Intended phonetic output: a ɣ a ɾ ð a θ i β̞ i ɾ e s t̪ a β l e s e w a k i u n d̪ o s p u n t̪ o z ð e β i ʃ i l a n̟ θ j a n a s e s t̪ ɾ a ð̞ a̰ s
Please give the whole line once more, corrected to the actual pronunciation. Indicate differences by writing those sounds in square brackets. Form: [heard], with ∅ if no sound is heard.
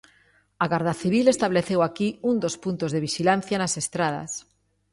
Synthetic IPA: a ɣ a ɾ ð a θ i β̞ i [l] e s t̪ a β l e [θ] e w a k i u n d̪ o s p u n t̪ o z ð e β i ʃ i l a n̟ θ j a n a s e s t̪ ɾ a ð̞ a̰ s